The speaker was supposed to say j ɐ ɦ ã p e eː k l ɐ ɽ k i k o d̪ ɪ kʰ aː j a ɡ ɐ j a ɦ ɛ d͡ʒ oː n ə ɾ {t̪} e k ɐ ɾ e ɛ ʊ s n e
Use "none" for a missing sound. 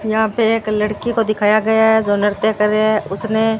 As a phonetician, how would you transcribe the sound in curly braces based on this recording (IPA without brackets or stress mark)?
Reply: t̪